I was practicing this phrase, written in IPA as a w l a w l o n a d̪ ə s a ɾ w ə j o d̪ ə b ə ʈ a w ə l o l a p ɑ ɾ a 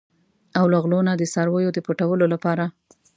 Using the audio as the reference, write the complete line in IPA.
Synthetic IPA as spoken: a w l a ɣ l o n a d̪ ə s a ɾ w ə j o d̪ ə p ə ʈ a w ə l o l a p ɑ ɾ a